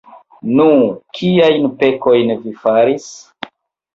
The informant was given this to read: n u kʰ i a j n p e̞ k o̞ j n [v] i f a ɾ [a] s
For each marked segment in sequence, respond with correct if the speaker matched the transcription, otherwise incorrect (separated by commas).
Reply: correct, incorrect